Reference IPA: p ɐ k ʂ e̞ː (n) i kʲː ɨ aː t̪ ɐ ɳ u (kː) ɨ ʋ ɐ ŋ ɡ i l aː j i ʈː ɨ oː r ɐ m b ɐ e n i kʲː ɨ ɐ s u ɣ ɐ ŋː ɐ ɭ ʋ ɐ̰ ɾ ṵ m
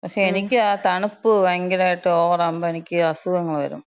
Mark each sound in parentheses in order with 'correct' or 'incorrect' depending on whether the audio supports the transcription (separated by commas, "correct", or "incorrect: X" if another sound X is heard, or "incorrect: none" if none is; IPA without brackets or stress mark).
correct, incorrect: pː